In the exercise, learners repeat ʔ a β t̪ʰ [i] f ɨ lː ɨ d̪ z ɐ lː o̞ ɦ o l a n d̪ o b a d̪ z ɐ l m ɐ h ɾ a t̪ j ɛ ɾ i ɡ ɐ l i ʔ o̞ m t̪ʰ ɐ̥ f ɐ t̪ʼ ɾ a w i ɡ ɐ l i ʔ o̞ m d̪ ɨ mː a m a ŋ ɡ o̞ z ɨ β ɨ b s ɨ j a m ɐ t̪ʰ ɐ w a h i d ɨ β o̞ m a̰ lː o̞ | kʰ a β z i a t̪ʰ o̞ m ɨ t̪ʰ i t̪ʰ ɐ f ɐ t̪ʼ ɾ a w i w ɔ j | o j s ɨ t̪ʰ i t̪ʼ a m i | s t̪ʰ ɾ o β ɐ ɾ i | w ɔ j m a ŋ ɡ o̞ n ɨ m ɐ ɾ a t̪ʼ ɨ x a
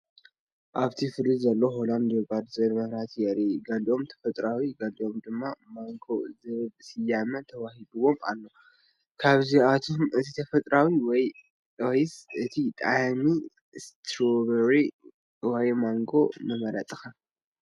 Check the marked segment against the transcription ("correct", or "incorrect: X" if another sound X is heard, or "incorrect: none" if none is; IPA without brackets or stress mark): correct